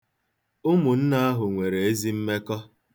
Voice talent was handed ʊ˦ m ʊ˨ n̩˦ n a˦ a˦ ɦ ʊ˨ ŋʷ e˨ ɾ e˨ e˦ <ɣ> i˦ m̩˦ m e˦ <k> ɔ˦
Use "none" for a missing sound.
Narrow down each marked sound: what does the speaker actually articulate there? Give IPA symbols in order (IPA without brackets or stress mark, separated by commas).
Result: z, k